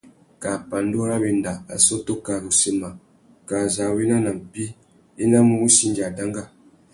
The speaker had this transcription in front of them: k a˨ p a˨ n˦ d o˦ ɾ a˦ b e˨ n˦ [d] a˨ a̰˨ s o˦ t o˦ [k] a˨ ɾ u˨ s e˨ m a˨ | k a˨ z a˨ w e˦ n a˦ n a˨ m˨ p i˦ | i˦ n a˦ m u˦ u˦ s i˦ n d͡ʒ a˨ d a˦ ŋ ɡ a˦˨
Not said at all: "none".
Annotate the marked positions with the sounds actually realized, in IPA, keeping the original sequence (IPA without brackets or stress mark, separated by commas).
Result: d, k